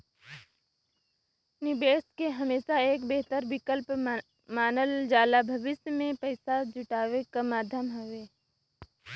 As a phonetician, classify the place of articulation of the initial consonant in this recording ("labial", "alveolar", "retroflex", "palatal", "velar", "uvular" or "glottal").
alveolar